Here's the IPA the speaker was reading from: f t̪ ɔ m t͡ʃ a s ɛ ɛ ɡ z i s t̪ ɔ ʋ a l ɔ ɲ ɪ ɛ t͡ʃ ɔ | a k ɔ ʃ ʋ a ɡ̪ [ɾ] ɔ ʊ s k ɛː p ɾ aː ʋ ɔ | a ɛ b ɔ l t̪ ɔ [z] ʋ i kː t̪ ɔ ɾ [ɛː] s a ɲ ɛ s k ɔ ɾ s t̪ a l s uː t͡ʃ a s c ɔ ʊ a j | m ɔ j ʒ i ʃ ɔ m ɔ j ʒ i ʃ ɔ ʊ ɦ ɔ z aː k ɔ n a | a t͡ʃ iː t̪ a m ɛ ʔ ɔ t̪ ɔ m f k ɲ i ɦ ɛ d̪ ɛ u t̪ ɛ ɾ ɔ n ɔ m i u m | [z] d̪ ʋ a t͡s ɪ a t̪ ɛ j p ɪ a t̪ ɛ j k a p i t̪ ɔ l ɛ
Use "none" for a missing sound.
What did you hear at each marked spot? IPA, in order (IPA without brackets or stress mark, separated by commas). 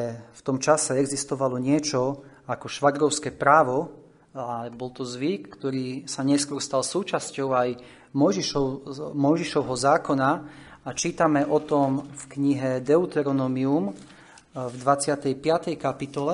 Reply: ɾ, z, iː, v